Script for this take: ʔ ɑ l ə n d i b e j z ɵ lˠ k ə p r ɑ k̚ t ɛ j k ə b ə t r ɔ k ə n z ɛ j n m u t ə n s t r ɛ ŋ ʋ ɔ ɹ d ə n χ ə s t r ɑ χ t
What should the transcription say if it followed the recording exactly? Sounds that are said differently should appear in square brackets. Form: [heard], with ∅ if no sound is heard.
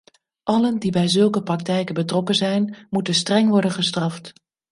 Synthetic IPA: ʔ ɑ l ə n d i b [ɛ] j z ɵ lˠ k ə p r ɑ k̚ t ɛ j k ə b ə t r ɔ k ə n z ɛ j n m u t ə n s t r ɛ ŋ ʋ ɔ ɹ d ə n χ ə s t r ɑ [f] t